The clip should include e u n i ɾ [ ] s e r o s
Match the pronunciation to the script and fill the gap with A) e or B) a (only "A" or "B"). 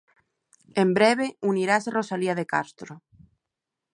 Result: B